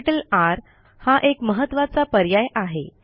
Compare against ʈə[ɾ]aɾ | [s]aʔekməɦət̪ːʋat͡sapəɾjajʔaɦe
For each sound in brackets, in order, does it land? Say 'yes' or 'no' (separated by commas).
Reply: no, no